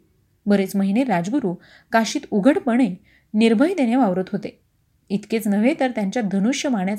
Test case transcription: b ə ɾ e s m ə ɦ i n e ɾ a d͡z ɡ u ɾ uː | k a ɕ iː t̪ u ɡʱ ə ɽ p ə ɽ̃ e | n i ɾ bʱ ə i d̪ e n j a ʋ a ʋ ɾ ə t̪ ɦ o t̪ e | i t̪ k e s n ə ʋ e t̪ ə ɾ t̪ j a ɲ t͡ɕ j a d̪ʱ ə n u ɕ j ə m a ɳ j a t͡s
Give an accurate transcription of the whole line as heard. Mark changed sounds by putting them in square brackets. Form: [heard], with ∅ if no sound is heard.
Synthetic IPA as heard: b ə ɾ e [t͡s] m ə ɦ i n e ɾ a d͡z ɡ u ɾ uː | k a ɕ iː t̪ u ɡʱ ə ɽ p ə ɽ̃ e | n i ɾ bʱ ə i d̪ e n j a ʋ a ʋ ɾ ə t̪ ɦ o t̪ e | i t̪ k e [t͡s] n ə ʋ e t̪ ə ɾ t̪ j a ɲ t͡ɕ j a d̪ʱ ə n u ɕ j ə m a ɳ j a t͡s